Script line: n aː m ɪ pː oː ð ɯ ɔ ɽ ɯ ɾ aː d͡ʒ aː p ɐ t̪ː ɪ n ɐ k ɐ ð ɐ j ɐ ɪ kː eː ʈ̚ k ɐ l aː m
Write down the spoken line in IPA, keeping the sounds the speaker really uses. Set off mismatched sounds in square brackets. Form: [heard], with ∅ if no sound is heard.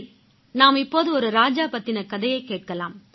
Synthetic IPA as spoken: n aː m ɪ pː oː ð ɯ ɔ [ɾ] ɯ ɾ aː d͡ʒ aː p ɐ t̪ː ɪ n ɐ k ɐ ð ɐ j ɐ ɪ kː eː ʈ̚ k ɐ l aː m